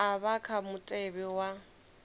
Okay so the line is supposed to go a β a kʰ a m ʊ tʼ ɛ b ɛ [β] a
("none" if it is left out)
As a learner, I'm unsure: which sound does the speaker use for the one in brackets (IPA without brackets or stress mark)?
w